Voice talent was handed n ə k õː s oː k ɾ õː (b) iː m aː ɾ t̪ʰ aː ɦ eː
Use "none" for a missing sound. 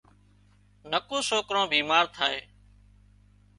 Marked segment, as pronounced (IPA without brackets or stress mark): b